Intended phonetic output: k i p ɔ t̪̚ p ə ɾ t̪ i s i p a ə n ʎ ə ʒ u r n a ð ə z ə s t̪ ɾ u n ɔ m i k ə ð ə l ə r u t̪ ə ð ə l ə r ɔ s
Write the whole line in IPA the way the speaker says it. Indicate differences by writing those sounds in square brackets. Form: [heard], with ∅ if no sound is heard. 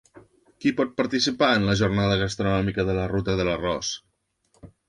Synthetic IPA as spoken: k i p ɔ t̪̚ p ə ɾ t̪ i s i p a ə n [l] ə ʒ u r n a ð ə [ɣ] ə s t̪ ɾ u n ɔ m i k ə ð ə l ə r u t̪ ə ð ə l ə r ɔ s